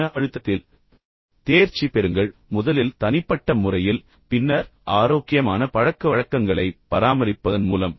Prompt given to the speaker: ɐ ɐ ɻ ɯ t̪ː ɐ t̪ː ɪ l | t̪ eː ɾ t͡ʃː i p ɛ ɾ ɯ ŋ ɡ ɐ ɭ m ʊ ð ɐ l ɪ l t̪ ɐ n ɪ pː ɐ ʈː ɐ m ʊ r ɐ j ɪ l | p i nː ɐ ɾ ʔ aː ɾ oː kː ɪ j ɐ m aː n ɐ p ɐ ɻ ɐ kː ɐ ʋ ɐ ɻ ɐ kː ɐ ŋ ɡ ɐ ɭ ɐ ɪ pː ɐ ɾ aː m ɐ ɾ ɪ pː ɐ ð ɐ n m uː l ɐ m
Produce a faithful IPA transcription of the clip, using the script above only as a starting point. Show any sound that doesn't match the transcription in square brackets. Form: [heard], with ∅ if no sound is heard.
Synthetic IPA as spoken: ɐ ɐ ɻ ɯ t̪ː ɐ t̪ː ɪ l | t̪ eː ɾ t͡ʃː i p ɛ ɾ ɯ ŋ ɡ ɐ ɭ m ʊ ð ɐ l ɪ l t̪ ɐ n ɪ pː ɐ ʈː ɐ m ʊ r ɐ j ɪ l | p [ɪ] nː ɐ ɾ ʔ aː ɾ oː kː ɪ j ɐ m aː n ɐ p ɐ ɻ ɐ kː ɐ ʋ ɐ ɻ ɐ kː ɐ ŋ ɡ ɐ ɭ ɐ ɪ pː ɐ ɾ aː m ɐ ɾ ɪ pː ɐ ð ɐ n m uː l ɐ m